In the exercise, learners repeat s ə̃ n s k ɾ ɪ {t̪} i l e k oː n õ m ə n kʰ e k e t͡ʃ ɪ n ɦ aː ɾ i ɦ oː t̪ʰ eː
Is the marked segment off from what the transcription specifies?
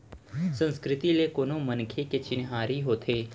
no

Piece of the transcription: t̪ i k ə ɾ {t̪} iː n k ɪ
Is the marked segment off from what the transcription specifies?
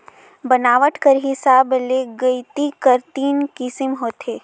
no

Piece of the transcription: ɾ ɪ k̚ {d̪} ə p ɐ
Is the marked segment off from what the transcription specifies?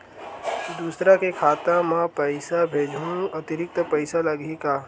yes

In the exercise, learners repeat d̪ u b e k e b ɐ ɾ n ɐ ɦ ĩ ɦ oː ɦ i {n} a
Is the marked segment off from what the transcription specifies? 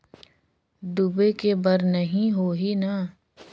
no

